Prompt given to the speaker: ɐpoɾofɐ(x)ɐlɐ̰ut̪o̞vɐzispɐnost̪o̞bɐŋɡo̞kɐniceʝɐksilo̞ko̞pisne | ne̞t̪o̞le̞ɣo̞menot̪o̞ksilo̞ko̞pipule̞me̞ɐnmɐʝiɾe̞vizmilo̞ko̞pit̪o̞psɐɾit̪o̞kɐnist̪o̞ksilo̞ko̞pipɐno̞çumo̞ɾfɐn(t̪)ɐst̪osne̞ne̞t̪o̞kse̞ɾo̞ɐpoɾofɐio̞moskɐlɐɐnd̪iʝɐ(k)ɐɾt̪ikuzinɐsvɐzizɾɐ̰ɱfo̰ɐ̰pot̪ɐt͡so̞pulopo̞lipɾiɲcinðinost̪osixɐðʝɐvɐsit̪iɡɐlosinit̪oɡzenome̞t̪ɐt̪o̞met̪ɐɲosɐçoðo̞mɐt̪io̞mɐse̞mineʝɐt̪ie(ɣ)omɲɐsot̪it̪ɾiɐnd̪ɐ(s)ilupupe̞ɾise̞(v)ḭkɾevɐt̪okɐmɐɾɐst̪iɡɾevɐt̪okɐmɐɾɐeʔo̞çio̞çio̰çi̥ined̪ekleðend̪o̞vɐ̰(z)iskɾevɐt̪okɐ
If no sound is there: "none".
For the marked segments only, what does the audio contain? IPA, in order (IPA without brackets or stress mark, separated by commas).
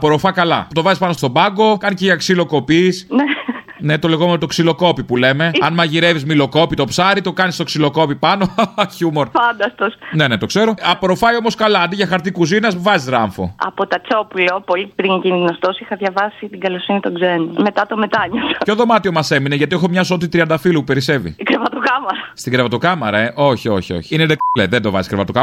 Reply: k, d̪, x, x, f, v, z